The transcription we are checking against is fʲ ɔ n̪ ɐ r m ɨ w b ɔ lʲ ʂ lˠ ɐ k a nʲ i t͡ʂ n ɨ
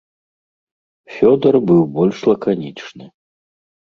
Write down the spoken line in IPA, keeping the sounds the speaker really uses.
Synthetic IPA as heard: fʲ ɔ d̪ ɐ r b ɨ w b ɔ lʲ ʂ lˠ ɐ k a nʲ i t͡ʂ n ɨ